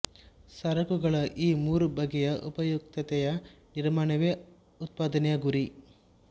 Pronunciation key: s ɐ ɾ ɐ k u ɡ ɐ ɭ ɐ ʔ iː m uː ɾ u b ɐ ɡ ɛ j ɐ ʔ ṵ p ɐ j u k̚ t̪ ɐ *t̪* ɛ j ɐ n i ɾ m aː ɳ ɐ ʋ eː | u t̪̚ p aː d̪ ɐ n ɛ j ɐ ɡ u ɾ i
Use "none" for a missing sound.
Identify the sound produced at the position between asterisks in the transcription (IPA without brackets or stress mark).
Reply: t̪